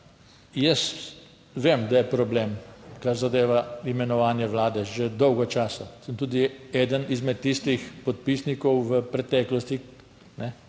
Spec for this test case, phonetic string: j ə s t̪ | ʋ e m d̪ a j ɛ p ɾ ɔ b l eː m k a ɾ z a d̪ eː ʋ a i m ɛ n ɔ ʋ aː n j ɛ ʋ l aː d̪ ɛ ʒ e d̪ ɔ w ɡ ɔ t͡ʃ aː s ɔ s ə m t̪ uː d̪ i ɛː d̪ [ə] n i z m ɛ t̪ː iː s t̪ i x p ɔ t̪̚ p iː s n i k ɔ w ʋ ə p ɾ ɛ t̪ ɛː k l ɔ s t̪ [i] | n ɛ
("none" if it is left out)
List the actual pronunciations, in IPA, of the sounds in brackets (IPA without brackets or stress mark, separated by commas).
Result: ə, i